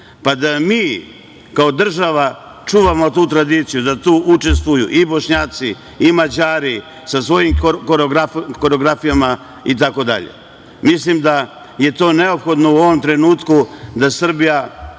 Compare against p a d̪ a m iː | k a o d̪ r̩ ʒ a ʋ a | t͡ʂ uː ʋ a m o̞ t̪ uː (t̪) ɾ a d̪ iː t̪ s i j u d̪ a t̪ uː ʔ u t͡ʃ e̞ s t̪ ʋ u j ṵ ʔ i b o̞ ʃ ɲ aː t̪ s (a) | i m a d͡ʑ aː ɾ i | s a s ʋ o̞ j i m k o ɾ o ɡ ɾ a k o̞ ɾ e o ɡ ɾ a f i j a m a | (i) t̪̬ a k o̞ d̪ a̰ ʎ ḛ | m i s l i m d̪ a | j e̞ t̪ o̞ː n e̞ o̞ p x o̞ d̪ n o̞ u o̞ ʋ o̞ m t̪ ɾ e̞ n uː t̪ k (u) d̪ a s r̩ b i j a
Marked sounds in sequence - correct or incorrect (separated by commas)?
correct, incorrect, correct, correct